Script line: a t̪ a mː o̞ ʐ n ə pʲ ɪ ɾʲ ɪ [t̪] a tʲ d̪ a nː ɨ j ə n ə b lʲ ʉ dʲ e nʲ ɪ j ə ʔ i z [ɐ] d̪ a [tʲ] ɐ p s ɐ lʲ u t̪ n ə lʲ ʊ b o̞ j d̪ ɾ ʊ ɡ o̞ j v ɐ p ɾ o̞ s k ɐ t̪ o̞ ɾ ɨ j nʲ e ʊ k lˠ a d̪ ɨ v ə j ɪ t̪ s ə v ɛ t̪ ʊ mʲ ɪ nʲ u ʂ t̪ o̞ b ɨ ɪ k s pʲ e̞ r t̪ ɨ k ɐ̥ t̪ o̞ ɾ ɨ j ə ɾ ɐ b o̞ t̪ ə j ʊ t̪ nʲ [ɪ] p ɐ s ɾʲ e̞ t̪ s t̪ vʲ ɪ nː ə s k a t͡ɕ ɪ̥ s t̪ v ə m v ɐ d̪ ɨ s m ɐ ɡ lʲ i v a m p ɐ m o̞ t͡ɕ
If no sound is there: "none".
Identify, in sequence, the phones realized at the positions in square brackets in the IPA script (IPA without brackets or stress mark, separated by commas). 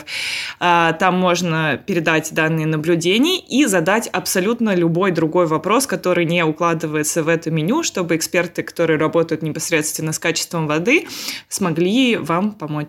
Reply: d̪, ɐ, tʲ, ɪ